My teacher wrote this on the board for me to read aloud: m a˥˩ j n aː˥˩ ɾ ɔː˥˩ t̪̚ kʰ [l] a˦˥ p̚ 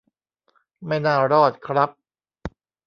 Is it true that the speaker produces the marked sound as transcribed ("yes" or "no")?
no